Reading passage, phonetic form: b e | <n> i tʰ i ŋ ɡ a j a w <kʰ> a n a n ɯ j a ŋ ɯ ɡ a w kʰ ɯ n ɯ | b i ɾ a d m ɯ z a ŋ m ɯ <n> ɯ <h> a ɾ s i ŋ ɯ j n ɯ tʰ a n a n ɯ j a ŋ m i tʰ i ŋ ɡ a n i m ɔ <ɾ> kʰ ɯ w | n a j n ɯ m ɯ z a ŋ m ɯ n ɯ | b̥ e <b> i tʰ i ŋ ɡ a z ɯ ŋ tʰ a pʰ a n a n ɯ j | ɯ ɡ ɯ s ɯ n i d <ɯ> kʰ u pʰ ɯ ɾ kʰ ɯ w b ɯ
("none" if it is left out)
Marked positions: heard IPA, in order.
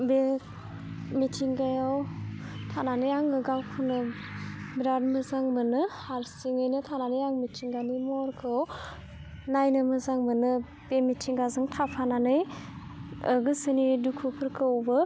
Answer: m, tʰ, n, h, ɾ, m, u

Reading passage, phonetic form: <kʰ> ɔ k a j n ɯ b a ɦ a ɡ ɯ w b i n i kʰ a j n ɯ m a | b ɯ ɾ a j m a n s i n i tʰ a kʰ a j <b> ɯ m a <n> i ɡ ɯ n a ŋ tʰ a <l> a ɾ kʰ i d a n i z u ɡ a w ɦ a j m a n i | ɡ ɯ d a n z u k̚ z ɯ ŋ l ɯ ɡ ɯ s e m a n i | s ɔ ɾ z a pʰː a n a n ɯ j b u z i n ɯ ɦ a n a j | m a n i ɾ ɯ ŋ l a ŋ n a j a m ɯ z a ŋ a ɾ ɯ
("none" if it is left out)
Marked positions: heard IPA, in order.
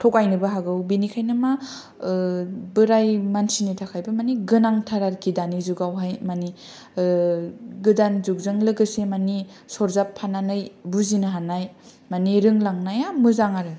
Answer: tʰ, b, n, ɾ

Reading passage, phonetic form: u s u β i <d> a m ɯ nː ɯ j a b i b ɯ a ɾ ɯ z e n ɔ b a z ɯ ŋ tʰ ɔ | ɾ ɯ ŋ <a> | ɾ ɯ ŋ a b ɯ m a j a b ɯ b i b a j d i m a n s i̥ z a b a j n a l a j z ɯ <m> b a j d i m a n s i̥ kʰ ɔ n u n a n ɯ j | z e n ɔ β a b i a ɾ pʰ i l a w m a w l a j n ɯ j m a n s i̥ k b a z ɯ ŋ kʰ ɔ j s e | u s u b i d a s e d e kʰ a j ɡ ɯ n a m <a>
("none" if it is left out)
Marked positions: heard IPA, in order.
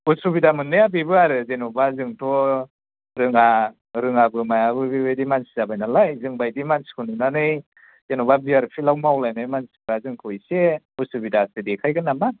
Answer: d, a, ŋ, a

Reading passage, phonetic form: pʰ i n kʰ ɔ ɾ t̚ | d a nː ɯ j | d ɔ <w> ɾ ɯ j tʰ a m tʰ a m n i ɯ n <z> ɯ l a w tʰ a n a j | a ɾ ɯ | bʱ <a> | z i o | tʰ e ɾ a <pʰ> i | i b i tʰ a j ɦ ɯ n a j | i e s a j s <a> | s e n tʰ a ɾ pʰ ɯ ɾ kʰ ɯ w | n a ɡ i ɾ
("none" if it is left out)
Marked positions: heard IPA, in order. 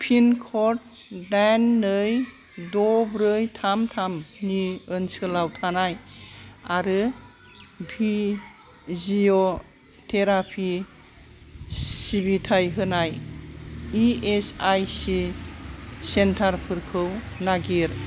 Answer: b, s, i, pʰ, i

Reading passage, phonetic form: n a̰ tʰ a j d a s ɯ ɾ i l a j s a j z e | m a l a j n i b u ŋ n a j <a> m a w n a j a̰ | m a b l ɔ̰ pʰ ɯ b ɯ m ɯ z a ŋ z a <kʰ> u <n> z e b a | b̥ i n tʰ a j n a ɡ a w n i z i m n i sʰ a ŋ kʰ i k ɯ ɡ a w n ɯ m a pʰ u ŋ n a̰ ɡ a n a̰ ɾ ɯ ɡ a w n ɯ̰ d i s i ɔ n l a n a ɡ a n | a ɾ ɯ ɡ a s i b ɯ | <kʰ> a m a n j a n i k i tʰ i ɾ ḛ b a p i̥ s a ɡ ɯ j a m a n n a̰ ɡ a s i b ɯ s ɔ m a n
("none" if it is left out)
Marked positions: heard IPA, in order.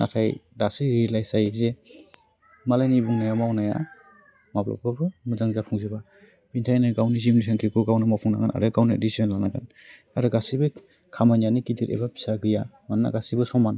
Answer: a, pʰ, ŋ, kʰ

